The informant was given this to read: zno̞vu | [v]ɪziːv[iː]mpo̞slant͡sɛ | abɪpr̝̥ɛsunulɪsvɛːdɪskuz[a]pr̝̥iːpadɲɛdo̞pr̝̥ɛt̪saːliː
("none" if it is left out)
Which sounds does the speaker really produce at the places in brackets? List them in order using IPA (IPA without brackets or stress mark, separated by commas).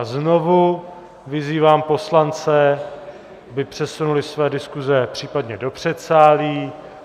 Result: v, aː, ɛ